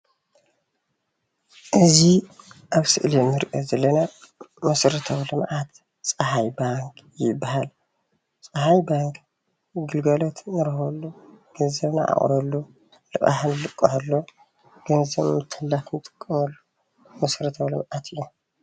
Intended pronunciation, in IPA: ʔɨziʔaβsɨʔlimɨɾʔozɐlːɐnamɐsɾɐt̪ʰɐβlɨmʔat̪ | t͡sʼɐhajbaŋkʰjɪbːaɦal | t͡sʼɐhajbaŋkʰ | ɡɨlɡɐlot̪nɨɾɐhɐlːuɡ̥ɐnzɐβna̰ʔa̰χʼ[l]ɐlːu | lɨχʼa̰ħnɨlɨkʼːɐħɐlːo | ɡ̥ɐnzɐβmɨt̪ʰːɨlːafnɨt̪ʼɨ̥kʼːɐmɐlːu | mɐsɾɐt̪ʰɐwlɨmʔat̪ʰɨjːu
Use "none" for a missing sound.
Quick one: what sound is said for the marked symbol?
ɾ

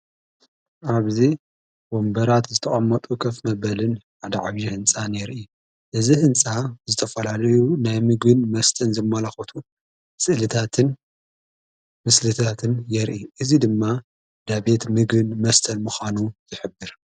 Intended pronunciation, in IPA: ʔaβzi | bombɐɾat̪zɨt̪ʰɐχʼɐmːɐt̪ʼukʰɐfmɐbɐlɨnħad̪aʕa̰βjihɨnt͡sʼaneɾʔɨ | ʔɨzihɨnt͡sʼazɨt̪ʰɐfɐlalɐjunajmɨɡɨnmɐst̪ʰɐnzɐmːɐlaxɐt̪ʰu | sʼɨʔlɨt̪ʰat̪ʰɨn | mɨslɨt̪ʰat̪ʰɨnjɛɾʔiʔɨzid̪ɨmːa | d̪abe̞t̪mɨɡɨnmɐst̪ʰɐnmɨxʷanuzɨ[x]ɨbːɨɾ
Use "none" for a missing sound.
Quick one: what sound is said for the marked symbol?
ħ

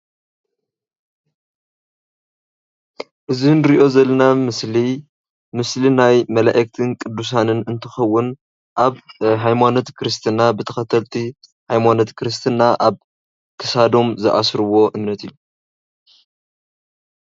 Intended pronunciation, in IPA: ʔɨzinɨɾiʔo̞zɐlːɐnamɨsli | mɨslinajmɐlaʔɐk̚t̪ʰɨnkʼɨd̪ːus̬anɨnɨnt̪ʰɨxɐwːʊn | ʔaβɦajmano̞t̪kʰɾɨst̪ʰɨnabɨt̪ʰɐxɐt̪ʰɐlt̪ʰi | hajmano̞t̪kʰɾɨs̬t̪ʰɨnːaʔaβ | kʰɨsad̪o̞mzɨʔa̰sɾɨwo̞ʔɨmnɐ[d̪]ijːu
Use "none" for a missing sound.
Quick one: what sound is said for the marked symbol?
t̪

